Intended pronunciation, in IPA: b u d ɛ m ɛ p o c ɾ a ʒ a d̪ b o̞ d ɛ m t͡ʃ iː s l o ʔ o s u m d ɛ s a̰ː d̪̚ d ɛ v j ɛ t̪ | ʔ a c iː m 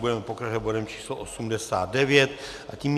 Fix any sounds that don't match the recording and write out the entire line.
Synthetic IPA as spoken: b u d ɛ m ɛ p o k ɾ a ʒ ɛ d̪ b o̞ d ɛ m t͡ʃ iː s l o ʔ o s u m d ɛ s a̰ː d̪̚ d ɛ v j ɛ t̪ | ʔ a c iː m